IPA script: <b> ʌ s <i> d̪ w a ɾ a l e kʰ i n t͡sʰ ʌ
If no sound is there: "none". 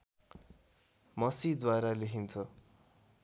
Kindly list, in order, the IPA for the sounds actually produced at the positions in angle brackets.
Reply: m, i

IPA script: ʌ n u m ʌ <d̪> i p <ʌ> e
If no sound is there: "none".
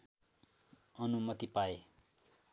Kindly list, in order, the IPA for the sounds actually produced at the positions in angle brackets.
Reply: t̪, a

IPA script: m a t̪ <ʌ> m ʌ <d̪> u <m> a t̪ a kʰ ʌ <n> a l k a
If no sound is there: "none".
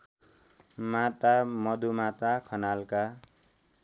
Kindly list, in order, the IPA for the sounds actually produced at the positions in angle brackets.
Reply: a, d̪, m, n

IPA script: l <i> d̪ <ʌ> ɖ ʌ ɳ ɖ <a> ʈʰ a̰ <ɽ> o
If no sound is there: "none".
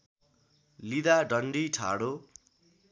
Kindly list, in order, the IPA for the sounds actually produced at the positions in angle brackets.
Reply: i, a, i, ɽ

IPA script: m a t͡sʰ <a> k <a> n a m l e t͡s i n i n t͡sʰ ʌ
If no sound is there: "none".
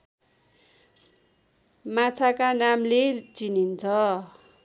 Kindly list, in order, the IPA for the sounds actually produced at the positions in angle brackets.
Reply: a, a

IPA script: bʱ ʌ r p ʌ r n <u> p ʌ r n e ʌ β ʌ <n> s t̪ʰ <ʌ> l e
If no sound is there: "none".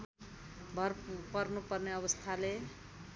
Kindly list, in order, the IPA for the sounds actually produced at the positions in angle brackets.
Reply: u, none, a

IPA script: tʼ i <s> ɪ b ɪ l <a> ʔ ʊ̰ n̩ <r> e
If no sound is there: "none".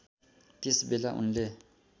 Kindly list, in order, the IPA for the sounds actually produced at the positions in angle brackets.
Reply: s, a, l

